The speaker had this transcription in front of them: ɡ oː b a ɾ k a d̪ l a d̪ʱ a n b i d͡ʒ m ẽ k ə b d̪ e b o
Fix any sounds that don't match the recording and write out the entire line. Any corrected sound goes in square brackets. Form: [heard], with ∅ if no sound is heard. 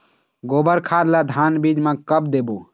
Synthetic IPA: ɡ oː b [ə] ɾ [kʰ] a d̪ l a d̪ʱ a n b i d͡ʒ m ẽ k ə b d̪ e b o